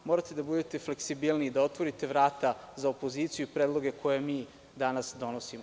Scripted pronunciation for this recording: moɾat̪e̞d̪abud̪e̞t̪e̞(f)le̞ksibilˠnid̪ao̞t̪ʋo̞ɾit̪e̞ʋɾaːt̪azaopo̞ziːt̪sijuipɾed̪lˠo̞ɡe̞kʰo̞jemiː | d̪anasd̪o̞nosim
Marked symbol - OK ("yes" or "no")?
yes